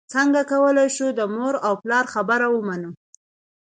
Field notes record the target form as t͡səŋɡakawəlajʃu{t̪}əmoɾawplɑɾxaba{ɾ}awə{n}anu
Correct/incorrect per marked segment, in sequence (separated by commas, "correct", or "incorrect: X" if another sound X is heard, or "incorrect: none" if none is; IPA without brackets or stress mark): incorrect: d̪, correct, incorrect: m